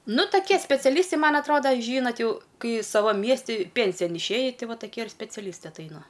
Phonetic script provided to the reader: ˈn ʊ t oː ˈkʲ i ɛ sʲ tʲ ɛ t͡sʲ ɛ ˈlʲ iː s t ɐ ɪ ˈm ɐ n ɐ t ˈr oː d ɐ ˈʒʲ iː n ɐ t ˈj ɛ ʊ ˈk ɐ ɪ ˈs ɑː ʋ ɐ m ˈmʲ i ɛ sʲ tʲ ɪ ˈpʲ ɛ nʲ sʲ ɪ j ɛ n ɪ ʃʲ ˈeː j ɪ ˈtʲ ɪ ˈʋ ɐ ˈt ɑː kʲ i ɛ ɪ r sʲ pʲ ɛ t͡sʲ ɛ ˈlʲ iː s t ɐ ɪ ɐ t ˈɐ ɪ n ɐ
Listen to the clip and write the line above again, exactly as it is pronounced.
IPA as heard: ˈn ʊ t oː ˈkʲ i ɛ sʲ pʲ ɛ t͡sʲ ɛ ˈlʲ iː s t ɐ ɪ ˈm ɐ n ɐ t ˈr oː d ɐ ˈʒʲ iː n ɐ t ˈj ɛ ʊ ˈk ɐ ɪ ˈs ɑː ʋ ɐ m ˈmʲ i ɛ sʲ tʲ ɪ ˈpʲ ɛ nʲ sʲ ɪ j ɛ n ɪ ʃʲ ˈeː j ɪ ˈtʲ ɪ ˈʋ ɐ ˈt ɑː kʲ i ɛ ɪ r sʲ pʲ ɛ t͡sʲ ɛ ˈlʲ iː s t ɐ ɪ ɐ t ˈɐ ɪ n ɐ